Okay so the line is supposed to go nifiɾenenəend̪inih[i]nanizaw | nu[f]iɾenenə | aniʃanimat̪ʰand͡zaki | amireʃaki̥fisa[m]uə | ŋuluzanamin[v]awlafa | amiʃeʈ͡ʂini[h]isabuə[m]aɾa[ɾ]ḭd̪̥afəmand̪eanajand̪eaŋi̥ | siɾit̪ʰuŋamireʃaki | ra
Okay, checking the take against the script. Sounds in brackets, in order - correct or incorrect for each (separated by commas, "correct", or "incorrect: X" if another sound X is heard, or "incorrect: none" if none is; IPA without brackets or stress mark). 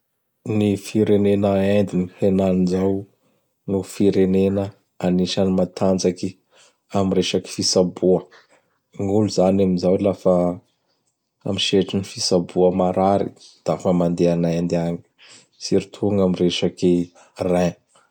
incorrect: e, correct, incorrect: b, incorrect: z, incorrect: f, correct, correct